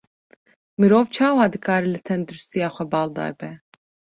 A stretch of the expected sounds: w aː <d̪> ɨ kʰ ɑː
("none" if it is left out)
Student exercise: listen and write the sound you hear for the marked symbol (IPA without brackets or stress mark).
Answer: d̪